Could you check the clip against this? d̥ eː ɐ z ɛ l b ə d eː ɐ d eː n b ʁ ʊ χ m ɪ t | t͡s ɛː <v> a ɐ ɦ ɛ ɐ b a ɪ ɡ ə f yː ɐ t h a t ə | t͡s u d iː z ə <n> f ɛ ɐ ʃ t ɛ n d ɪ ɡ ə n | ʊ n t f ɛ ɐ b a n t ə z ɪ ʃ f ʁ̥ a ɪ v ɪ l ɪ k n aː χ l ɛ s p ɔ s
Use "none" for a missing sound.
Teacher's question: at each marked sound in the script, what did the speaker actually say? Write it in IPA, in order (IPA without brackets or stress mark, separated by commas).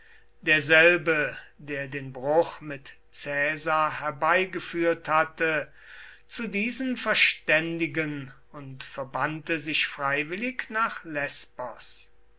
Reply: z, n